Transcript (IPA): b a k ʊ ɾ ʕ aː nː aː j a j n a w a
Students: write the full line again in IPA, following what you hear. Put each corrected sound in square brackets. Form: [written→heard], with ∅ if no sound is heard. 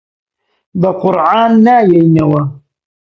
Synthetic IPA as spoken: b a [k→q] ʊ ɾ ʕ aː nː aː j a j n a w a